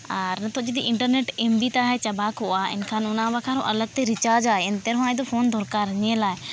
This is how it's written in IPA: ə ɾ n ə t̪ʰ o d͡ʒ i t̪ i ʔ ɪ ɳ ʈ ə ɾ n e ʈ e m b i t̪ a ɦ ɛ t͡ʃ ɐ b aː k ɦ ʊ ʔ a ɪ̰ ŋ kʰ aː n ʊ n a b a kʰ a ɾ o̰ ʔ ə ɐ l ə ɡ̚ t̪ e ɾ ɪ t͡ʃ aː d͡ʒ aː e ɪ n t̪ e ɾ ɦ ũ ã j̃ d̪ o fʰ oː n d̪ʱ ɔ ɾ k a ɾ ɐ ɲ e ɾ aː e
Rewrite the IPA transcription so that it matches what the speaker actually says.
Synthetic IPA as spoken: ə ɾ n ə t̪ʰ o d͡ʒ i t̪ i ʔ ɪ ɳ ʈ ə ɾ n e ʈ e m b i t̪ a ɦ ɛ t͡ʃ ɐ b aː k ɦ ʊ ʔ a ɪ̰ n kʰ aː n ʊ n a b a kʰ a ɾ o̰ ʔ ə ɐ l ə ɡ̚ t̪ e ɾ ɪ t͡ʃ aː d͡ʒ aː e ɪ n t̪ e ɾ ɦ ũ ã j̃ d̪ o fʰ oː n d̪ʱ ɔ ɾ k a ɾ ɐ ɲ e l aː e